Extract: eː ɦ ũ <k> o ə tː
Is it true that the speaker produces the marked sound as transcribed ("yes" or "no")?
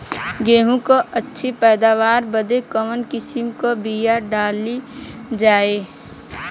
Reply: yes